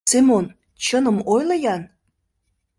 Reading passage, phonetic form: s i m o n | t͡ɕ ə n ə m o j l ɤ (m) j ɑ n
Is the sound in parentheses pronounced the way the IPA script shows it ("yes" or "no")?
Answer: no